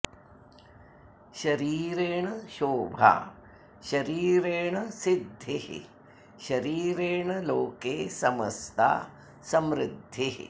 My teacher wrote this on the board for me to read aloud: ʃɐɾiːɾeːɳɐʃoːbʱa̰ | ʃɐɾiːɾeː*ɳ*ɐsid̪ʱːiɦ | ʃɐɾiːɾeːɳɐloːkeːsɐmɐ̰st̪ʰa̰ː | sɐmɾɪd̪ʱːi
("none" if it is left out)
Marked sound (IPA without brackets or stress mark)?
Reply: ɳ